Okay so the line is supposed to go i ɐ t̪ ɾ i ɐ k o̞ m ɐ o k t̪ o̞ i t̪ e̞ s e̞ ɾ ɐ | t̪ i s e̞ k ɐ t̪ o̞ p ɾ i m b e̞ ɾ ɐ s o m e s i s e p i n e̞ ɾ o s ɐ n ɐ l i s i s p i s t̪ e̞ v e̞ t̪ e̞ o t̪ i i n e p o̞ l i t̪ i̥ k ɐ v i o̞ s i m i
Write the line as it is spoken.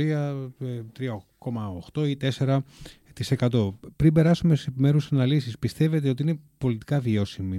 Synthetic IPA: i ɐ t̪ ɾ i ɐ k o̞ m ɐ o x t̪ o̞ i t̪ e̞ s e̞ ɾ ɐ | t̪ i s e̞ k ɐ t̪ o̞ p ɾ i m b e̞ ɾ ɐ s u m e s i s e p i m e̞ ɾ u s ɐ n ɐ l i s i s p i s t̪ e̞ v e̞ t̪ e̞ o t̪ i i n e p o̞ l i t̪ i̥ k ɐ v i o̞ s i m i